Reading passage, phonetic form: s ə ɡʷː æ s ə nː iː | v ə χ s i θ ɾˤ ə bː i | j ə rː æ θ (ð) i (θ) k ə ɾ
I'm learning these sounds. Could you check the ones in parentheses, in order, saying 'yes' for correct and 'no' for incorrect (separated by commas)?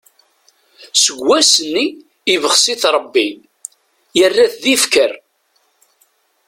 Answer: yes, no